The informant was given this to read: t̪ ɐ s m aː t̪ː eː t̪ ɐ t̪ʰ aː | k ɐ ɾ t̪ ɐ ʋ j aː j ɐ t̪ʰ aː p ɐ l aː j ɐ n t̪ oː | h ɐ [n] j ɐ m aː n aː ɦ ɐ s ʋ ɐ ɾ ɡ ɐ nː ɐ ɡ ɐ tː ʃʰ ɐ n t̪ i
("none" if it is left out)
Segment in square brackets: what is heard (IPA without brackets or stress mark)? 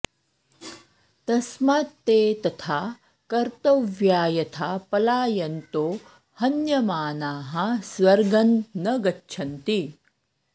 n